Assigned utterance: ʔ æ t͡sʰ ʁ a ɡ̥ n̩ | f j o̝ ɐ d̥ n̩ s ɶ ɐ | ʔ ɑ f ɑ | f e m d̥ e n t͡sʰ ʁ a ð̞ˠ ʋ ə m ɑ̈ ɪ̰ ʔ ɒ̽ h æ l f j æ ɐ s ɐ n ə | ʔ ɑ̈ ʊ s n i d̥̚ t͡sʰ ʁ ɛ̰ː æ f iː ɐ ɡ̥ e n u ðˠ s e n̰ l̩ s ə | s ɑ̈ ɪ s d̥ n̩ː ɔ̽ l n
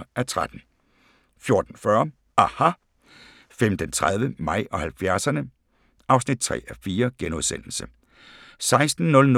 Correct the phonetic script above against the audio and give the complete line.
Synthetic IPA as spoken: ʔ æ t͡sʰ ʁ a d̥ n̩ | f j o̝ ɐ d̥ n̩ f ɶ ɐ | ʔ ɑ h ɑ | f e m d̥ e n t͡sʰ ʁ a ð̞ˠ ʋ ə m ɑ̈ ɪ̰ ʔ ɒ̽ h æ l f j æ ɐ s ɐ n ə | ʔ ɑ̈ ʊ s n i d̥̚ t͡sʰ ʁ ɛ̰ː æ f iː ɐ ɡ̥ e n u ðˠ s e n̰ l̩ s ə | s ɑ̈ ɪ s d̥ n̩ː ɔ̽ l n